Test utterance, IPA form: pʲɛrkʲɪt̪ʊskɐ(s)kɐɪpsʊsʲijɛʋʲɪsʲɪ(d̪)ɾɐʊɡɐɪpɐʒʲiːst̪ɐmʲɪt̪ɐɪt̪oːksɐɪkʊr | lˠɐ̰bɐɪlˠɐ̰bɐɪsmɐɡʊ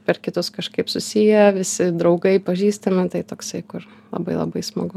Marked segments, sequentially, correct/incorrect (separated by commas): incorrect, correct